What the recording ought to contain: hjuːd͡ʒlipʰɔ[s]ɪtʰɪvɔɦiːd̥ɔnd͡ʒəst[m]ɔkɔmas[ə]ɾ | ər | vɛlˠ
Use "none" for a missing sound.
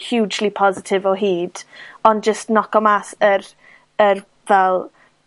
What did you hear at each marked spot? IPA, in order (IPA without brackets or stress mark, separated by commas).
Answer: z, n, ə